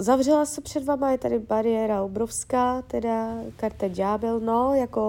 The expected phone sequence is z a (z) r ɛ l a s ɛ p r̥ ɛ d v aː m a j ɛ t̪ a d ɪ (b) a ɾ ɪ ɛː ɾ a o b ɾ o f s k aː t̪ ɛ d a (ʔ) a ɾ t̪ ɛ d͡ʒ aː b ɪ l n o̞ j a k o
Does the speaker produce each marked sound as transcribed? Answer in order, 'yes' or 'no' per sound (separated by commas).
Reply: no, yes, no